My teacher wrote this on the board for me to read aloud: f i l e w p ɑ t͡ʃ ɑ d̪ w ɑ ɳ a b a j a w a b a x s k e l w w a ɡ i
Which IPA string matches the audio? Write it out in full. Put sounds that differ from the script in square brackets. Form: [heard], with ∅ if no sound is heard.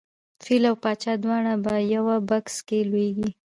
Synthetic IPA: f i l [a] w p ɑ t͡ʃ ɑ d̪ w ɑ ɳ a b a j a w a b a [k] s k e l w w [e] ɡ i

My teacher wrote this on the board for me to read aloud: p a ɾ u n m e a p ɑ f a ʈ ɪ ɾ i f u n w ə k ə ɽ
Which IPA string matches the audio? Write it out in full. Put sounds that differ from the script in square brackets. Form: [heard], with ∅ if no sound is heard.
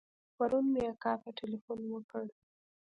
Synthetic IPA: p a ɾ u n m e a [k] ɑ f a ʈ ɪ [l] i f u n w ə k ə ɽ

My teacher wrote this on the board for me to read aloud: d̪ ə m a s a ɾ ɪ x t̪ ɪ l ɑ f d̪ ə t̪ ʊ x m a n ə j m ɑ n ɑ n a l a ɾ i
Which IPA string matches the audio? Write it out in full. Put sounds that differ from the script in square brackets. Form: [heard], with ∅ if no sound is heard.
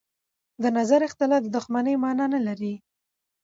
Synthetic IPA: d̪ ə [n] a [z] a ɾ ɪ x t̪ ɪ l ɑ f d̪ ə [d̪] ʊ x m a n ə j m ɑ n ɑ n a l a ɾ i

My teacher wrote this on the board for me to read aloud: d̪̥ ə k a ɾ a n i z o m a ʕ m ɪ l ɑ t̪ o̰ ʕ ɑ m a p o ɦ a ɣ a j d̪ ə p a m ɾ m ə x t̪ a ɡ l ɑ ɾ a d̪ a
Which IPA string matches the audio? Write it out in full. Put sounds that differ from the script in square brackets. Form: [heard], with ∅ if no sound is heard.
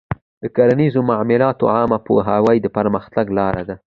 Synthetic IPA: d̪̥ ə k a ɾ a n i z o m a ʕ m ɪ l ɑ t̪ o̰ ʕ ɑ m a p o ɦ a [w] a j d̪ ə p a [∅] ɾ m ə x t̪ a ɡ l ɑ ɾ a d̪ a

